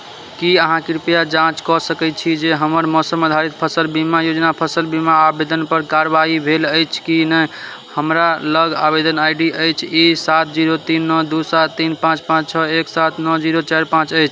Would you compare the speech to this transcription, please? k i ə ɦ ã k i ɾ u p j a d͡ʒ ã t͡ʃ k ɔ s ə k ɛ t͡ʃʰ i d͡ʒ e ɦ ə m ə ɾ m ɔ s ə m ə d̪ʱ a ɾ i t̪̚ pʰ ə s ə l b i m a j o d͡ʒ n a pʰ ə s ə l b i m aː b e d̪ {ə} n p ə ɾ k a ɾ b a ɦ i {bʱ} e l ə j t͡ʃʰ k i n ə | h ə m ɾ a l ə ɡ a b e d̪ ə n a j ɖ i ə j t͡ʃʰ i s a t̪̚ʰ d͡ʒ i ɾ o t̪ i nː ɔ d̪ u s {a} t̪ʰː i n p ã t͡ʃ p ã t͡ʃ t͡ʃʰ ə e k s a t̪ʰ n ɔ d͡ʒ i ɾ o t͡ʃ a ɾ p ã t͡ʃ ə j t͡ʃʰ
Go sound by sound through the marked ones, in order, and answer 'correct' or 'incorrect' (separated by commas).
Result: correct, correct, correct